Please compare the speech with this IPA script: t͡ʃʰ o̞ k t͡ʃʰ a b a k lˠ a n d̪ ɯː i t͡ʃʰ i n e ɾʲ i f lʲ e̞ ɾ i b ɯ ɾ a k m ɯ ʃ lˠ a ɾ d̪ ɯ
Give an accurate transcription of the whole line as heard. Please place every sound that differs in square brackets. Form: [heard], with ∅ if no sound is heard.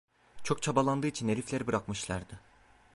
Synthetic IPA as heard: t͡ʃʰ o̞ k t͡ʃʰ a b a [∅] lˠ a n d̪ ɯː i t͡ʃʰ i n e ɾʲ i f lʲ e̞ ɾ i b ɯ ɾ a k m ɯ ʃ lˠ a ɾ d̪ ɯ